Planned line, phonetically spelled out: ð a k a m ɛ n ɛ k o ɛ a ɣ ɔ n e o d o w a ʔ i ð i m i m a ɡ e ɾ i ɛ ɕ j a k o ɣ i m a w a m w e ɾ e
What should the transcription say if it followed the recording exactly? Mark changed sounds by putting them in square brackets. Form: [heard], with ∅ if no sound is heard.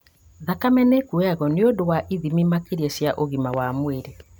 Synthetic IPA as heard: ð a k a m ɛ n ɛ k [u] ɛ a ɣ ɔ n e o d o w a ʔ i ð i m i m a [k] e ɾ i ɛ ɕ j a [ʔ] o ɣ i m a w a m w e ɾ e